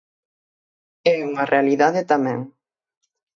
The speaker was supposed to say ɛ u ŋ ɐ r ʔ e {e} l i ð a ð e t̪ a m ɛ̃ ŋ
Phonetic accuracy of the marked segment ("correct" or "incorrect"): incorrect